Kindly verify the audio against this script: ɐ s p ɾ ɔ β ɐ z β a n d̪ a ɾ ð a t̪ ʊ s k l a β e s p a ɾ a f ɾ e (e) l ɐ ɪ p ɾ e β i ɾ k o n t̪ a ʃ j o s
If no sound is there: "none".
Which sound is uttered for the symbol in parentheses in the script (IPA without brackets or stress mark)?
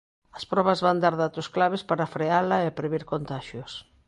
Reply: a